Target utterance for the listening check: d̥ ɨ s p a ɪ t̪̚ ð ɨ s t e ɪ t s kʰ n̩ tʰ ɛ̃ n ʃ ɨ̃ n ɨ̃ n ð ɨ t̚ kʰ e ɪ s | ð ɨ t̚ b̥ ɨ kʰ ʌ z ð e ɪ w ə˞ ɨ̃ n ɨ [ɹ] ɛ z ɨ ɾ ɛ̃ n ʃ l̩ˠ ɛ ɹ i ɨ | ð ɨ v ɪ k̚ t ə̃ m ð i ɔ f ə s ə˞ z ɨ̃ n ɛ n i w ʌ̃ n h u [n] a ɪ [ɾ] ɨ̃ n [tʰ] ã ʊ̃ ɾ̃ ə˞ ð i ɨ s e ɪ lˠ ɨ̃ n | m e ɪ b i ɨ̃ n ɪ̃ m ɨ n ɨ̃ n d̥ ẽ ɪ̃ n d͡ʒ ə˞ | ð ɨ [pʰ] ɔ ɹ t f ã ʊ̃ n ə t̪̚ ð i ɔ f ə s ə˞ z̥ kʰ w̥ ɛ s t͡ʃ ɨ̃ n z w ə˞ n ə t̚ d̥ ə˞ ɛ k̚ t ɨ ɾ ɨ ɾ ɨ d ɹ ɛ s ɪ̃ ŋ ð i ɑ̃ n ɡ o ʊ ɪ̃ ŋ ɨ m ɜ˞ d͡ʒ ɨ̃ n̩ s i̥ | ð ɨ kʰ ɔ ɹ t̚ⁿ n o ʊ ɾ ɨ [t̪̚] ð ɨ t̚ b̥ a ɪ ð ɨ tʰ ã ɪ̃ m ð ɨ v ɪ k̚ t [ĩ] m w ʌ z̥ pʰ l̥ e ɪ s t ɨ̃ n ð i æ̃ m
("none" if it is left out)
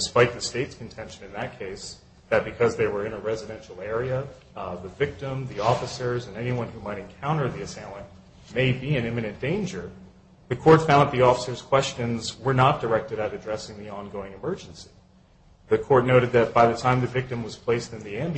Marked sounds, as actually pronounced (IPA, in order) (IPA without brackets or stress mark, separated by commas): ɹ, m, ɾ, kʰ, kʰ, d̪̚, ɨ̃